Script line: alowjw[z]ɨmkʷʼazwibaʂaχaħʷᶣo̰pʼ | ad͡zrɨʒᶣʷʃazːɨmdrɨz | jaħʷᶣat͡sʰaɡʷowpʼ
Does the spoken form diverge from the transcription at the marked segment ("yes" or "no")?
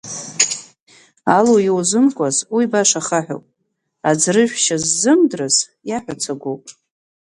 no